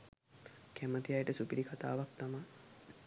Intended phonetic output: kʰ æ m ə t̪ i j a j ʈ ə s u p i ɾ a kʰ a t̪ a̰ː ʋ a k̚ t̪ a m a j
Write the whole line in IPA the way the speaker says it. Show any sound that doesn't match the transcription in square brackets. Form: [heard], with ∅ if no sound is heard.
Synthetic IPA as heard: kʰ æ m ə t̪ i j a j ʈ ə s u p i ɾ [i] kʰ a t̪ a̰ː ʋ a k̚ t̪ a m a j